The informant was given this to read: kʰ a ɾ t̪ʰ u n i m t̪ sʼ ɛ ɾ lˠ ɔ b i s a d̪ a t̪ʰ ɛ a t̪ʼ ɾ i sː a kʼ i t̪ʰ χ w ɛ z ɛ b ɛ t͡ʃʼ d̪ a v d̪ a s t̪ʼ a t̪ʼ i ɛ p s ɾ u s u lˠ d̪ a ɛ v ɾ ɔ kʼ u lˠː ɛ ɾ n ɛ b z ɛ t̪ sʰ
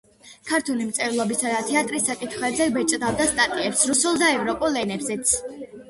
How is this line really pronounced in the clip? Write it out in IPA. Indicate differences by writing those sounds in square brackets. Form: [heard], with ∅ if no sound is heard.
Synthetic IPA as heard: kʰ a ɾ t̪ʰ u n i m t̪ sʼ ɛ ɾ lˠ ɔ b i s a d̪ a t̪ʰ ɛ a t̪ʼ ɾ i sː a kʼ i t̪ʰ χ w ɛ z ɛ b ɛ t͡ʃʼ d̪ a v d̪ a s t̪ʼ a t̪ʼ i ɛ p s ɾ u s u lˠ d̪ a ɛ v ɾ ɔ [pʼ] u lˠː ɛ [∅] n ɛ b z ɛ t̪ sʰ